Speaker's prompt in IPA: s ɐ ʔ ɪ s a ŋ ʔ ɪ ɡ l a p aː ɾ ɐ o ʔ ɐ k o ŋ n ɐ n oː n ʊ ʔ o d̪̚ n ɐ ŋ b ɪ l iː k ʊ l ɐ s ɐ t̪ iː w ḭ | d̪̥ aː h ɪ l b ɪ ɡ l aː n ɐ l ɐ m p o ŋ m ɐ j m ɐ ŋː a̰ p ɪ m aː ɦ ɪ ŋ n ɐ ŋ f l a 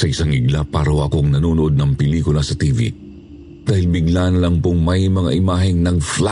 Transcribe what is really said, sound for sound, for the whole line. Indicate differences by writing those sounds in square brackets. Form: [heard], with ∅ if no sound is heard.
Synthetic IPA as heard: s ɐ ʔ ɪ s a ŋ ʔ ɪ ɡ l a p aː ɾ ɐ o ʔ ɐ k o ŋ n ɐ n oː n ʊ ʔ o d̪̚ n ɐ ŋ [p] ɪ l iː k ʊ l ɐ s ɐ t̪ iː [v] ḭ | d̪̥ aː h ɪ l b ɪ ɡ l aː n ɐ l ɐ [ŋ] p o ŋ m ɐ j m ɐ [ŋ] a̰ [ʔ] ɪ m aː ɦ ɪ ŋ n ɐ ŋ f l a